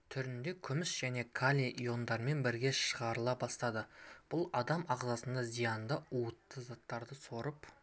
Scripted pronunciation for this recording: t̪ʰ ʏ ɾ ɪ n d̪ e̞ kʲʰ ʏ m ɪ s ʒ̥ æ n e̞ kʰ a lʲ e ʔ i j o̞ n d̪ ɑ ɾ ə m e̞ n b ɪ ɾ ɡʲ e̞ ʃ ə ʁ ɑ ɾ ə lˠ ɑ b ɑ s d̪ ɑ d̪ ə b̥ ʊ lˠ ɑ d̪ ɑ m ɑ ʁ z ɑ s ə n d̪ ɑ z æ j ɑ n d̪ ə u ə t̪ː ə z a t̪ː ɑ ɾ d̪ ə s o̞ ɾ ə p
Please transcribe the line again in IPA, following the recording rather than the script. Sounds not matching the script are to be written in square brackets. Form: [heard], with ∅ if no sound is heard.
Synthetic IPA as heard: t̪ʰ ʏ ɾ ɪ n d̪ e̞ kʲʰ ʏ m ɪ s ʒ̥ æ n e̞ kʰ a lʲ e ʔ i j o̞ n d̪ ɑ ɾ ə m e̞ n b ɪ ɾ ɡʲ e̞ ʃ ə ʁ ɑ ɾ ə lˠ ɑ b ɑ s [t̪] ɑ d̪ ə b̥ ʊ lˠ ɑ d̪ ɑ m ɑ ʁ z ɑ s ə n d̪ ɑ z [i] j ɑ n d̪ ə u ə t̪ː ə z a t̪ː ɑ ɾ d̪ ə s o̞ ɾ ə p